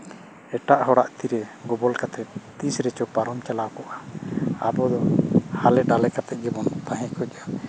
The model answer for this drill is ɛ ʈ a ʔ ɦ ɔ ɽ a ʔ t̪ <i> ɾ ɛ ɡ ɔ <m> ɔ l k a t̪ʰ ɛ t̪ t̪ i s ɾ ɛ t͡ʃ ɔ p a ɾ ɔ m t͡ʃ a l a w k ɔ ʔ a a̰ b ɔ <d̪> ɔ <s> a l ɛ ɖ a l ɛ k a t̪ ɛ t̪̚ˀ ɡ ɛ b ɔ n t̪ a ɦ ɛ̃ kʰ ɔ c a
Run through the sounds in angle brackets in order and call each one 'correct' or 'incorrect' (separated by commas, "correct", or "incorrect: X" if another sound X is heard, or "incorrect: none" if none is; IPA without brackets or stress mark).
correct, incorrect: b, correct, incorrect: h